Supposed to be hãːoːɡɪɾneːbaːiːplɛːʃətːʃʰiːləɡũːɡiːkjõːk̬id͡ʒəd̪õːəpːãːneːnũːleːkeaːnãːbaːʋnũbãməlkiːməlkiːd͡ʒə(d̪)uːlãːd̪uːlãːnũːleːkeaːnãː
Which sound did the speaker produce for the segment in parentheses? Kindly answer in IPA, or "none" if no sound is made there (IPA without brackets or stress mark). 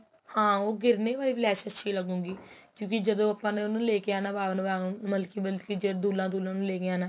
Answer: d̪